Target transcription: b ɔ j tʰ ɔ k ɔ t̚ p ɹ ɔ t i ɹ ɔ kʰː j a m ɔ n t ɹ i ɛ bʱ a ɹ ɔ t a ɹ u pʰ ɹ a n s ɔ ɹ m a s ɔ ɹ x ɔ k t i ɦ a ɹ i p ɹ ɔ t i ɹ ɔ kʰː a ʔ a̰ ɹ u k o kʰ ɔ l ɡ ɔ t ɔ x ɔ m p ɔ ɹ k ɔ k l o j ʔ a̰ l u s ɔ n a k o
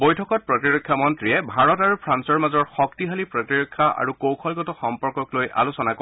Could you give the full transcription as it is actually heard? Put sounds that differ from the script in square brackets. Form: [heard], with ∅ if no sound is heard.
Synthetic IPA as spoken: b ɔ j tʰ ɔ k ɔ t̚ p ɹ ɔ t i ɹ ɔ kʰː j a m ɔ n t ɹ i ɛ bʱ a ɹ ɔ t a ɹ u pʰ ɹ a n s ɔ ɹ m a [z] ɔ ɹ x ɔ k t i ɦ a [l] i p ɹ ɔ t i ɹ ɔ kʰː a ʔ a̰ ɹ u k o kʰ ɔ l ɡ ɔ t ɔ x ɔ m p ɔ ɹ k ɔ k l o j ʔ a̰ l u s ɔ n a k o